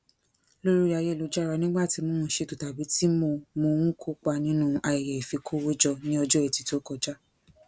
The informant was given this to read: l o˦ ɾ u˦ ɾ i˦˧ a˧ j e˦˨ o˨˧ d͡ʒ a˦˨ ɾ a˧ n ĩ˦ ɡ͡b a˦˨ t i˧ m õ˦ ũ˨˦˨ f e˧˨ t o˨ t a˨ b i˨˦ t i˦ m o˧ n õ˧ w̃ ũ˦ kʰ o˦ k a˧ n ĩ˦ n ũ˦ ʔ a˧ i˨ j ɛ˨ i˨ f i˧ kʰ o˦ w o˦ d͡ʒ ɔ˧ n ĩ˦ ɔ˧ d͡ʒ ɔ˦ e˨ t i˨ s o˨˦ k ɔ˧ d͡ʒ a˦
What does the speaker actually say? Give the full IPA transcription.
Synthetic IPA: l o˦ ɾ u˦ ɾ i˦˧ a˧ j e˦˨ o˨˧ d͡ʒ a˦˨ ɾ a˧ n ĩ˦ ɡ͡b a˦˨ t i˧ m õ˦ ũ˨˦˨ ʃ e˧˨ t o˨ t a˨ b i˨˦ t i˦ m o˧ m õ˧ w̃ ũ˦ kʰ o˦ k͡p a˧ n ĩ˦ n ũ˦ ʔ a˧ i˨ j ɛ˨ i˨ f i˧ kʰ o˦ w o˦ d͡ʒ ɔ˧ n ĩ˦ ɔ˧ d͡ʒ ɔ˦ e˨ t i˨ t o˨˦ k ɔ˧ d͡ʒ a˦